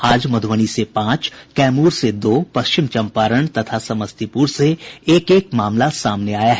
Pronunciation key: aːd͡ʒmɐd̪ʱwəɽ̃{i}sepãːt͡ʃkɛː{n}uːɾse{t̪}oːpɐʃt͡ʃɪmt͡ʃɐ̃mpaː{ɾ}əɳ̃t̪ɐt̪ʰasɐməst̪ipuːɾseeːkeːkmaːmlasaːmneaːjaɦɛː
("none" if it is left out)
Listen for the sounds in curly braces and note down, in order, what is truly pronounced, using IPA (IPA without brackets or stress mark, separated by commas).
i, m, d̪, ɾ